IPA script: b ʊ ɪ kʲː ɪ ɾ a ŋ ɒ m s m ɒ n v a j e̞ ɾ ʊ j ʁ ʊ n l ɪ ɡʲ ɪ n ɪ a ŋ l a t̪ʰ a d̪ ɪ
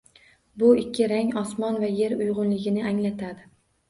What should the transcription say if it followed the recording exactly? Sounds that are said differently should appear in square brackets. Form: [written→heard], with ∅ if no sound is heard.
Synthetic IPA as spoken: b ʊ ɪ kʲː ɪ ɾ a ŋ ɒ [m→∅] s m ɒ n v a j e̞ ɾ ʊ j ʁ ʊ n l ɪ ɡʲ ɪ n ɪ a ŋ l a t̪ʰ a d̪ ɪ